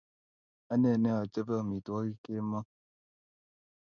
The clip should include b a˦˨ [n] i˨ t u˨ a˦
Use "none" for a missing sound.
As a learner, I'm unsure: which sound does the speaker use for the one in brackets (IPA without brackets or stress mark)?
m